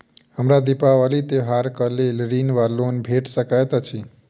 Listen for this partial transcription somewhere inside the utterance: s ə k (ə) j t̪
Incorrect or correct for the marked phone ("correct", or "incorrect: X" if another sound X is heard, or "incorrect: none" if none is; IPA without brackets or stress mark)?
incorrect: a